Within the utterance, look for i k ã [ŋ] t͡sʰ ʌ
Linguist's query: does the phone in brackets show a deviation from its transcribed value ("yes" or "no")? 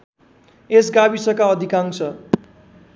no